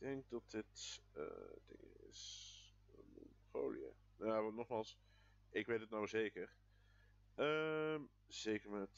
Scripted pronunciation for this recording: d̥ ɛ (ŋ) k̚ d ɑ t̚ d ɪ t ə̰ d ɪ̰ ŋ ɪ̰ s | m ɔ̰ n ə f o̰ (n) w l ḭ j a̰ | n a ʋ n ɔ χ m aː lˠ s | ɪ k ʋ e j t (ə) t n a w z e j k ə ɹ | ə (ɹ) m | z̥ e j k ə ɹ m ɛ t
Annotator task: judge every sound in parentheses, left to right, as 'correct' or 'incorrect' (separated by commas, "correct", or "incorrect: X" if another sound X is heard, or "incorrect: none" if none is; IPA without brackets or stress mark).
correct, incorrect: none, correct, incorrect: none